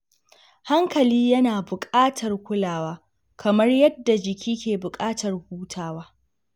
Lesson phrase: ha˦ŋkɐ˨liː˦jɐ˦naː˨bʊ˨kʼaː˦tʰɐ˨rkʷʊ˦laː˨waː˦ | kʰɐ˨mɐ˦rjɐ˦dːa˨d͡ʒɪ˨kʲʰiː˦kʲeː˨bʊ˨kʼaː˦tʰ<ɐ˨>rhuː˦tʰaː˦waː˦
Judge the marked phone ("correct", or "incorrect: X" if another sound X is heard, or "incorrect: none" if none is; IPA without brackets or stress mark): correct